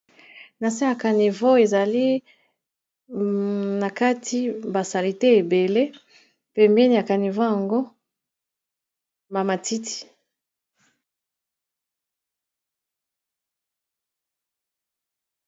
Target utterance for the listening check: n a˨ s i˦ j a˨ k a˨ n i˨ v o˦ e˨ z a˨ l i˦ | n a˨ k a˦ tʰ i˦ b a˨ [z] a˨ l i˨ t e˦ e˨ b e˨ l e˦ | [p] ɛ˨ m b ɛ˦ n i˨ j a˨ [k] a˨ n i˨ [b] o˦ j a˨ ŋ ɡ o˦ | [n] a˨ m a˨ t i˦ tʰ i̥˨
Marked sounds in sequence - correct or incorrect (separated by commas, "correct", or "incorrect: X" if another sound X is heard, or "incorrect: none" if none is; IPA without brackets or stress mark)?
incorrect: s, correct, correct, incorrect: v, incorrect: m